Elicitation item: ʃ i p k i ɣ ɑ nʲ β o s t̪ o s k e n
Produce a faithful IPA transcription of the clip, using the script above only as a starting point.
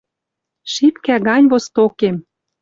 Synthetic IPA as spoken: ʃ i p k æ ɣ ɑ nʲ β o s t̪ o k e m